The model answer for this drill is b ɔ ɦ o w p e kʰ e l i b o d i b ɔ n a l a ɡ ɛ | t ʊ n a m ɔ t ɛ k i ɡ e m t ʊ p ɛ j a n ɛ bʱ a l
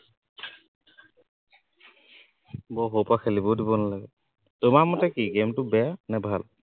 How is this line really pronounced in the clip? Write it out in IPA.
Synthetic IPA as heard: b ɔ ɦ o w p a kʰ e l i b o d i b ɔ n a l a ɡ ɛ | t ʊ m a m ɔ t ɛ k i ɡ e m t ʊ b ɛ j a n ɛ bʱ a l